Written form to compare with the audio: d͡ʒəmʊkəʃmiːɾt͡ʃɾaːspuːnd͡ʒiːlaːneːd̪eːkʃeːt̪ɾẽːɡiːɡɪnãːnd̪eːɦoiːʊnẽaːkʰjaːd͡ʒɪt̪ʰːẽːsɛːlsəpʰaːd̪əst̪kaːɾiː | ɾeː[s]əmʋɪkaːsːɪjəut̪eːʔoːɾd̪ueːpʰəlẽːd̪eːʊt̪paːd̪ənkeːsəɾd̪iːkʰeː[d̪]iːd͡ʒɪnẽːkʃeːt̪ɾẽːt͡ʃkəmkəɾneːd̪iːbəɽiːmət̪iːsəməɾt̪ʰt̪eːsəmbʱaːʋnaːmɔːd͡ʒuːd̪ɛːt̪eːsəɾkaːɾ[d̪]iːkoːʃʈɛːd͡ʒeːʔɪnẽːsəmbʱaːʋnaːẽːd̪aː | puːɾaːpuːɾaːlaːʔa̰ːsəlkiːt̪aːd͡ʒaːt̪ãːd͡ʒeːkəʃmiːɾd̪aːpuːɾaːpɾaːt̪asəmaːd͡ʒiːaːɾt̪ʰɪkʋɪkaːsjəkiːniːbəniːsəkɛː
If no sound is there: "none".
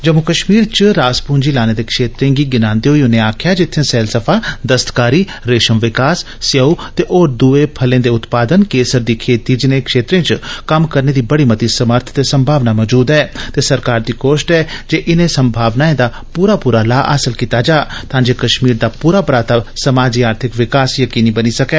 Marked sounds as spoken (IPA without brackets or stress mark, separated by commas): ʃ, t̪, d̪